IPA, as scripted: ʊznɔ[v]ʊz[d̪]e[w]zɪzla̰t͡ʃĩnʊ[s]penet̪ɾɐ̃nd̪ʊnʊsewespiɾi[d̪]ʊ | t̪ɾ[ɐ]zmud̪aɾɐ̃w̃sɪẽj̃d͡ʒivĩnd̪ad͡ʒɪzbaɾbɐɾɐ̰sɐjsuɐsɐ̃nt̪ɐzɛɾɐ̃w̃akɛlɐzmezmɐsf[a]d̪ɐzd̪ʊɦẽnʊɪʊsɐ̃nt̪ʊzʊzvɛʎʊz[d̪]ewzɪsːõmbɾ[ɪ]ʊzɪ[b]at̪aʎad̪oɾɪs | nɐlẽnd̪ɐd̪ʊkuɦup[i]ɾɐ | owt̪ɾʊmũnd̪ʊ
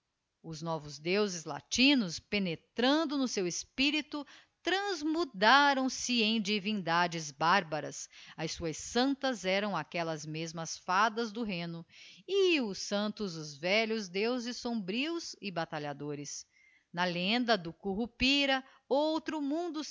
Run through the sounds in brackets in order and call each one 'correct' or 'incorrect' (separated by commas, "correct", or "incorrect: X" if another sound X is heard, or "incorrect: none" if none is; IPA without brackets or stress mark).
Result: correct, correct, correct, correct, incorrect: t̪, incorrect: ɐ̃, correct, correct, incorrect: i, correct, correct